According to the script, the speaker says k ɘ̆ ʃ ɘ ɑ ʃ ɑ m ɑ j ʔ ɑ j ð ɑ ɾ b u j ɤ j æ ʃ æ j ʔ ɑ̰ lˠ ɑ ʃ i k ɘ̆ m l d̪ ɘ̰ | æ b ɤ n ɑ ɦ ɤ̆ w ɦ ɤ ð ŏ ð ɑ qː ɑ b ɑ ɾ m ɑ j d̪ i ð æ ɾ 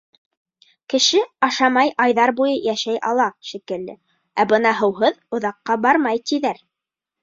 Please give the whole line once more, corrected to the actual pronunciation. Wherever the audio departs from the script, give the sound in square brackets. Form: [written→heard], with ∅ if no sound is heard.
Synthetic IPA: k ɘ̆ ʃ ɘ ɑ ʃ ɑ m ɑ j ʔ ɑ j ð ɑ ɾ b u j ɤ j æ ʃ æ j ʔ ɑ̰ lˠ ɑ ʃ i k ɘ̆ [m→∅] l d̪ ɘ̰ | æ b ɤ n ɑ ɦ ɤ̆ w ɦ ɤ ð ŏ ð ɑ qː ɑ b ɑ ɾ m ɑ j [d̪→t̪] i ð æ ɾ